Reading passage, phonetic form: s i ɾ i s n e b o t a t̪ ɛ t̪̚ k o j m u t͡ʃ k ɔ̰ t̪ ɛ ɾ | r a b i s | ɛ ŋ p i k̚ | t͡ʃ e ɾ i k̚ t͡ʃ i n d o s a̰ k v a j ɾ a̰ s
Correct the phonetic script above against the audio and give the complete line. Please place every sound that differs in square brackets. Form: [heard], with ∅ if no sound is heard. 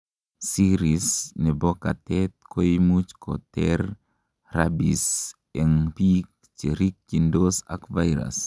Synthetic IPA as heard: s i ɾ i s n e b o [k] a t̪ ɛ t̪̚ k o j m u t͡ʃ k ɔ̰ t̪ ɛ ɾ | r a b i s | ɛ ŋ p i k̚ | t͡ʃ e ɾ i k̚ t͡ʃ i n d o s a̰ k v a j ɾ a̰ s